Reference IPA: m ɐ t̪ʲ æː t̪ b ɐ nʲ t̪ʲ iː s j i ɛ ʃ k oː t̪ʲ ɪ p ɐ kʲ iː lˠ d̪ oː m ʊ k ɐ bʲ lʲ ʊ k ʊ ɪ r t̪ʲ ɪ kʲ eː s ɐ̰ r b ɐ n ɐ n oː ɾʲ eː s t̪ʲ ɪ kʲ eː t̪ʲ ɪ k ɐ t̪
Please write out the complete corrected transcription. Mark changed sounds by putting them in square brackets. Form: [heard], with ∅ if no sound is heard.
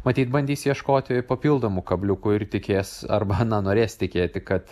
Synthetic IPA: m ɐ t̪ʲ [iː] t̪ b ɐ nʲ [d̪ʲ] iː s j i ɛ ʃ k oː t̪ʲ ɪ p ɐ [pʲ] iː lˠ d̪ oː m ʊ k ɐ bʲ lʲ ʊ k ʊ ɪ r t̪ʲ ɪ kʲ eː s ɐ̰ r b ɐ n ɐ n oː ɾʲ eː s t̪ʲ ɪ kʲ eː t̪ʲ ɪ k ɐ t̪